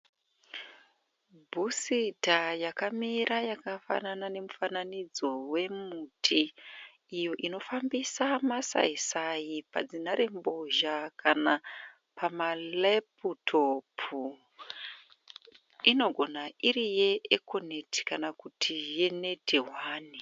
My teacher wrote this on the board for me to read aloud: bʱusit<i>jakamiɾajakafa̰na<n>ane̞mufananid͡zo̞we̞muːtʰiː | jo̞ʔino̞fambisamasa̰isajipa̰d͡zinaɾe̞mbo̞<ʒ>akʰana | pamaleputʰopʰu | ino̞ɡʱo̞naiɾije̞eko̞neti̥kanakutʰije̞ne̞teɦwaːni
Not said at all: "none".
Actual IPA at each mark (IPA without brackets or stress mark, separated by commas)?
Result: a, n, ʒ